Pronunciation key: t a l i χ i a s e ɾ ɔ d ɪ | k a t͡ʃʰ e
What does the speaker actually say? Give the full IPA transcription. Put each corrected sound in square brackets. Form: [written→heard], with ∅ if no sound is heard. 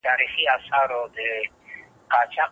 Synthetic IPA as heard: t a [l→ɾ] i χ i a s [e→a] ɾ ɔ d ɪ | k a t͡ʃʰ [e→a]